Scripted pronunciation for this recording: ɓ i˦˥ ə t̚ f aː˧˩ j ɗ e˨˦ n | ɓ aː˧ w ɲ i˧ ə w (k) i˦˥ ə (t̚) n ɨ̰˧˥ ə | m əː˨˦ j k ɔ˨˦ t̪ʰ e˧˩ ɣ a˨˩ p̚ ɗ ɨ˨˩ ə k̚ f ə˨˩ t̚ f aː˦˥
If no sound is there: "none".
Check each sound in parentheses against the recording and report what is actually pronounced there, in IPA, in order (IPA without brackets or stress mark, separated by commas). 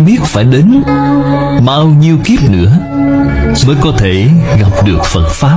k, p̚